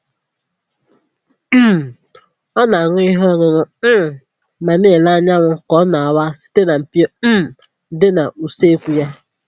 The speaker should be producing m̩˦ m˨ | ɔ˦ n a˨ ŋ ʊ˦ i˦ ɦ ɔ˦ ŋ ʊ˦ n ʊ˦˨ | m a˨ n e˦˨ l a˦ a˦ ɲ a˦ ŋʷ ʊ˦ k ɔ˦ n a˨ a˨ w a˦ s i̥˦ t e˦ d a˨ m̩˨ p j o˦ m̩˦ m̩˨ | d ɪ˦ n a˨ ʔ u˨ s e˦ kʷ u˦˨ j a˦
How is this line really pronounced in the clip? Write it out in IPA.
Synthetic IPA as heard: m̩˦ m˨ | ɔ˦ n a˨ ŋ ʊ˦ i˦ ɦ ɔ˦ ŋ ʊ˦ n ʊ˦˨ | m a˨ n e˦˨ l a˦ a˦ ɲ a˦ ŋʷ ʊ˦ k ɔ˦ n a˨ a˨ w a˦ s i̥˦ t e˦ n a˨ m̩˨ p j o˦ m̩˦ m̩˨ | d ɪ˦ n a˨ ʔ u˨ s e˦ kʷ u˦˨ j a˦